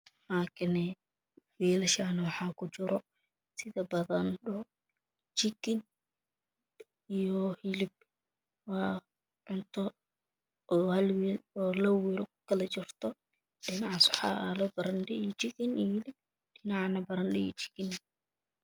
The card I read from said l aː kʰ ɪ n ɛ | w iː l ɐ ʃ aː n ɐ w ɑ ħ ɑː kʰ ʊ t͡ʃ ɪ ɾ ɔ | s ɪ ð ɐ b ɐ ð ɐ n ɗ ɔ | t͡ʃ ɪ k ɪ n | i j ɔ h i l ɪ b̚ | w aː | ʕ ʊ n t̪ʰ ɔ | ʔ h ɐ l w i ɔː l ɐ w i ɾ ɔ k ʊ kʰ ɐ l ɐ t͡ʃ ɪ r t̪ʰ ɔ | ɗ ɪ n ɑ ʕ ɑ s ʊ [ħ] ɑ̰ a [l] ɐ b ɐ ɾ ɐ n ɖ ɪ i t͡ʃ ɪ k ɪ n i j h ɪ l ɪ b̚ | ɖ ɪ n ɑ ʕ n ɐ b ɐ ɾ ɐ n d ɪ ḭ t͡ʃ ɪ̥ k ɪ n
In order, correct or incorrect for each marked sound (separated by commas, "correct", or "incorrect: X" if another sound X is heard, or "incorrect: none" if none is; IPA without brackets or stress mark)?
correct, correct